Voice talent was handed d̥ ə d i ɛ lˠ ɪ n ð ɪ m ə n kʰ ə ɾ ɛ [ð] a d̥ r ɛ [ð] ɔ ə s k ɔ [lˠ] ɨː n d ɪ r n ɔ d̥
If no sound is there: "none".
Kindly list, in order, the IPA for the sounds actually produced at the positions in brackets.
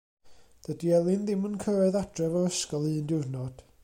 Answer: ð, v, lˠ

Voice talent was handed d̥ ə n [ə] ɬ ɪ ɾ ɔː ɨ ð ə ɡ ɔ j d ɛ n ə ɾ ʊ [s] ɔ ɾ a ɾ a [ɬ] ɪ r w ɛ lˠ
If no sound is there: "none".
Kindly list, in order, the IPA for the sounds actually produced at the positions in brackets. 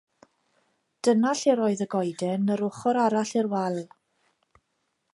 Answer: a, χ, ɬ

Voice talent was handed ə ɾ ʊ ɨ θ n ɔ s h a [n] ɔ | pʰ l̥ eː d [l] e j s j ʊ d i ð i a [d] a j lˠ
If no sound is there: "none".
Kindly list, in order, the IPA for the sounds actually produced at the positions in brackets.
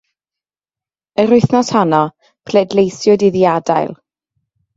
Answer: n, l, d

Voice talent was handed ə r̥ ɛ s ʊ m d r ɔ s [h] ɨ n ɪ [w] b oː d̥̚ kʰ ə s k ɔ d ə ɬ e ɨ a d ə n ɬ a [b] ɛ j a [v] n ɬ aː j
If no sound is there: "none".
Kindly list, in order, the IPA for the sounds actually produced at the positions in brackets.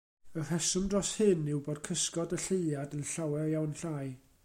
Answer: h, w, w, w

